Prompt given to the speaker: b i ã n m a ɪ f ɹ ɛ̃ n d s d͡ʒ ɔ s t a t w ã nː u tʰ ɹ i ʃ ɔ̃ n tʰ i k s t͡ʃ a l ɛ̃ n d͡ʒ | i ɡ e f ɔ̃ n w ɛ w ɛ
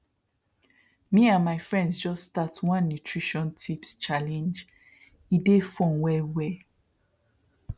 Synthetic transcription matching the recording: m i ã n m a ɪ f ɹ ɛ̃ n d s d͡ʒ ɔ s t a t w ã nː u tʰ ɹ i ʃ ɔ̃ n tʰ i p s t͡ʃ a l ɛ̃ n d͡ʒ | i d e f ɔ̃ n w ɛ w ɛ